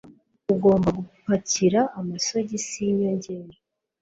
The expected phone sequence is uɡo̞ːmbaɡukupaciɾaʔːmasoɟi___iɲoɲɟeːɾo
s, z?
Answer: s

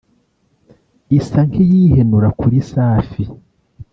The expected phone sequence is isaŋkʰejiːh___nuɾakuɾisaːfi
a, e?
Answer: e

